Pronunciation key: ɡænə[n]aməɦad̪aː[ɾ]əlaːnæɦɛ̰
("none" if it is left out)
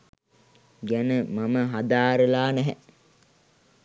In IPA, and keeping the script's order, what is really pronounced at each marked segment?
m, ɾ

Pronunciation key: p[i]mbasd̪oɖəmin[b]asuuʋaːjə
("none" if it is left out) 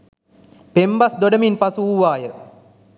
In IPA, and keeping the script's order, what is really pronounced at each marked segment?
e, p

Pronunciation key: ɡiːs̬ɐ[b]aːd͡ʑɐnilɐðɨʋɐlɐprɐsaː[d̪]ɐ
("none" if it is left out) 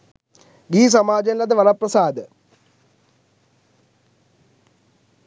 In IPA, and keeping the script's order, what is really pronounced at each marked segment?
m, d̪

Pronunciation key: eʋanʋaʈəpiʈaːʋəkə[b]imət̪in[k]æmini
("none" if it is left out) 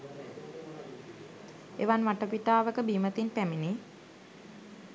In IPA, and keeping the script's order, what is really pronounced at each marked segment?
b, p

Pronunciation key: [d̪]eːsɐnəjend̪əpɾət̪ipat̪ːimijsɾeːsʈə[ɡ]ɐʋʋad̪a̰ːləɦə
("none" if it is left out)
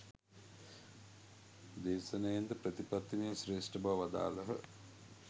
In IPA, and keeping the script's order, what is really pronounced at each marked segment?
d̪, b

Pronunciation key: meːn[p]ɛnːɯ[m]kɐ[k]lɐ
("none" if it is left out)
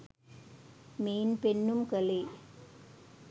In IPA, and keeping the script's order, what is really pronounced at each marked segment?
p, m, none

